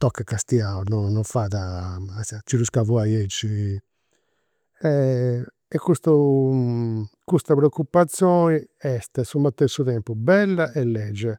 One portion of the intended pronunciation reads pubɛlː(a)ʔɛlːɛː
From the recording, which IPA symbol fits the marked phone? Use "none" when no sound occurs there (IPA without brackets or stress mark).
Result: a